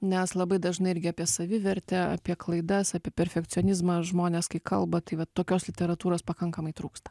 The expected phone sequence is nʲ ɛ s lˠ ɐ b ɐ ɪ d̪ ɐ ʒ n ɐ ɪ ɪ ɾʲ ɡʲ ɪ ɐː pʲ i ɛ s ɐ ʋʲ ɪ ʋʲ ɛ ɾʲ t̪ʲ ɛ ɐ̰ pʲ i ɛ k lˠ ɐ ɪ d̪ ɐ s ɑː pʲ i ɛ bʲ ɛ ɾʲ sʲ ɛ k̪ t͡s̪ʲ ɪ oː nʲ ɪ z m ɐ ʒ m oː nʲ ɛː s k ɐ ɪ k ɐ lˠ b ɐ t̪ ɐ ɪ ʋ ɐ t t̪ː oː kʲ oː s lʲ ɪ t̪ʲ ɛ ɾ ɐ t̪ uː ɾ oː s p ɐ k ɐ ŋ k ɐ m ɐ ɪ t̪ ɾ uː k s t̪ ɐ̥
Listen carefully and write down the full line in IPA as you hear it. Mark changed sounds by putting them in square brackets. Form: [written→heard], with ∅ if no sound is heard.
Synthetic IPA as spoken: nʲ ɛ s lˠ ɐ b ɐ ɪ d̪ ɐ ʒ n ɐ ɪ ɪ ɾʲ ɡʲ ɪ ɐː pʲ i ɛ s ɐ ʋʲ ɪ ʋʲ ɛ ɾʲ t̪ʲ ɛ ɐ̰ pʲ i ɛ k lˠ ɐ ɪ d̪ ɐ s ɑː pʲ i ɛ [bʲ→pʲ] ɛ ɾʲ [sʲ→fʲ] ɛ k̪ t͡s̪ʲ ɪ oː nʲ ɪ z m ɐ ʒ m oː nʲ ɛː s k ɐ ɪ k ɐ lˠ b ɐ t̪ ɐ ɪ ʋ ɐ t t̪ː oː kʲ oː s lʲ ɪ t̪ʲ ɛ ɾ ɐ t̪ uː ɾ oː s p ɐ k ɐ ŋ k ɐ m ɐ ɪ t̪ ɾ uː k s t̪ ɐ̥